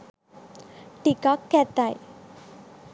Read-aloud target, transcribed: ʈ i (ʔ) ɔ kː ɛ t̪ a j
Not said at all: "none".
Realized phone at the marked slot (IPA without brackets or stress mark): k